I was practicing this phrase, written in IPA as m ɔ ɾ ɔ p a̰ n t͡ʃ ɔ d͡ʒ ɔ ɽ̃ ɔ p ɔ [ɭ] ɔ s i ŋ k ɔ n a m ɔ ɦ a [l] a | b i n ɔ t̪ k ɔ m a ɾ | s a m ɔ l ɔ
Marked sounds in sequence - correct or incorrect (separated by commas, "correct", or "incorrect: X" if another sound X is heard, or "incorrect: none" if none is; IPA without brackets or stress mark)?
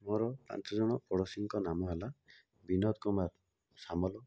incorrect: ɽ, correct